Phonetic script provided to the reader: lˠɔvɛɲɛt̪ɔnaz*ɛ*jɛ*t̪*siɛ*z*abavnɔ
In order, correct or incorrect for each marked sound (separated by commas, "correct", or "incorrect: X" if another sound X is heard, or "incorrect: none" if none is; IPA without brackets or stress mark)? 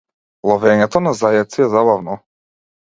incorrect: a, correct, correct